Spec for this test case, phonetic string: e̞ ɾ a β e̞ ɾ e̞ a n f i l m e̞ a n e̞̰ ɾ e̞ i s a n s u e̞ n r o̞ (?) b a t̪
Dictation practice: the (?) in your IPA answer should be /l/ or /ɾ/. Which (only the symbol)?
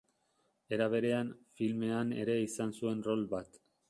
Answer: l